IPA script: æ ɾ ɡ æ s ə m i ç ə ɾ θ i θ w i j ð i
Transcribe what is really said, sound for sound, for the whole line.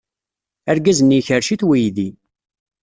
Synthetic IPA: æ ɾ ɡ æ z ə n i ç ə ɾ ʃ i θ w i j ð i

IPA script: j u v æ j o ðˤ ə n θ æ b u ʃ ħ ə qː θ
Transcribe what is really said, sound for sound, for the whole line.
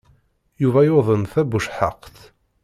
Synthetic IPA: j u v æ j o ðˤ ə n θ æ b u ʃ ħ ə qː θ

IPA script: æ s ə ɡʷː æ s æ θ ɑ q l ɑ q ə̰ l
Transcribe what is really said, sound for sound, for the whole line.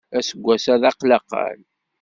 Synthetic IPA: æ s ə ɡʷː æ s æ ð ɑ q l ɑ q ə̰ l

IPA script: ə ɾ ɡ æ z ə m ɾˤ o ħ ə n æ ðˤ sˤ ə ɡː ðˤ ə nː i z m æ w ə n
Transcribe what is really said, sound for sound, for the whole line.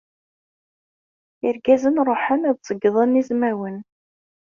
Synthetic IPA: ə ɾ ɡ æ z ə n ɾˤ o ħ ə n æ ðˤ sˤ ə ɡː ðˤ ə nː i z m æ w ə n

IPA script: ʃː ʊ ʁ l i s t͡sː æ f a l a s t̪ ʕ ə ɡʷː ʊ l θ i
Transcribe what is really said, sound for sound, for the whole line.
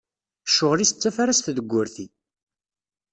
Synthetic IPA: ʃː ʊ ʁ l i s t͡sː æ f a ɾ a s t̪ ð ə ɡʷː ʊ ɾ θ i

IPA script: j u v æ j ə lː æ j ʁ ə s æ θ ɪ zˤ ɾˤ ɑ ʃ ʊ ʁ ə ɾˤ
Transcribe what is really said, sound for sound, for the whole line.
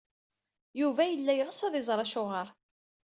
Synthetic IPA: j u v æ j ə lː æ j ʁ ə s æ ð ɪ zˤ ɾˤ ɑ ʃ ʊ ʁ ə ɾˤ

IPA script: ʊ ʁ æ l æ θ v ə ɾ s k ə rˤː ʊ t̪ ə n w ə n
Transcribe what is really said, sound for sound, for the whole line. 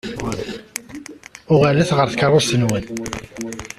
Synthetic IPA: ʊ ʁ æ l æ θ ʁ ə ɾ θ k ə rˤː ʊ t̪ ə n w ə n

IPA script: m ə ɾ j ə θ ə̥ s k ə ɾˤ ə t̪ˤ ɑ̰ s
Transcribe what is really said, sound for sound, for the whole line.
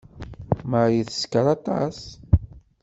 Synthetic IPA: m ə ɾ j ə θ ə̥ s k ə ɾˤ ɑ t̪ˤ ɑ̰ s

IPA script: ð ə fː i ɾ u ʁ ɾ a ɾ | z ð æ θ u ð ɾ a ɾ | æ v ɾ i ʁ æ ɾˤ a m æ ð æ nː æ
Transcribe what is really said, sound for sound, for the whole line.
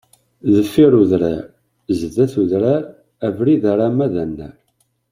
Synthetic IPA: ð ə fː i ɾ u ð ɾ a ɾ | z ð æ θ u ð ɾ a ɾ | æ v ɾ i ð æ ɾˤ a m æ ð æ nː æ

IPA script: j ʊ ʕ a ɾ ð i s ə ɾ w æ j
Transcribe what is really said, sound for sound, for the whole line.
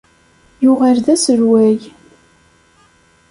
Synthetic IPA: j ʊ ʁ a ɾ ð æ s ə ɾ w æ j

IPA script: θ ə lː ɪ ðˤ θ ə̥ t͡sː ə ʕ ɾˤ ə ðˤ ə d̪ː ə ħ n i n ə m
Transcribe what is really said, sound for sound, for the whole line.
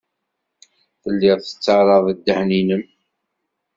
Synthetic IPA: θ ə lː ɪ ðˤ θ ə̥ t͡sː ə ʕ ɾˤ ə ðˤ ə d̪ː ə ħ n i n ə m

